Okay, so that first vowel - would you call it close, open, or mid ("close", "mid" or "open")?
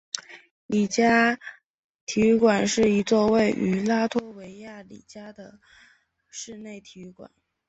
close